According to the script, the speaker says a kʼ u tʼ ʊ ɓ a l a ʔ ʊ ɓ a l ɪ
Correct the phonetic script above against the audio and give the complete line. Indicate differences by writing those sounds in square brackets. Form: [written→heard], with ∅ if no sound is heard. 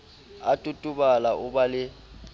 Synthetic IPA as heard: a [kʼ→tʼ] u tʼ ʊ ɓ a l a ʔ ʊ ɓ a l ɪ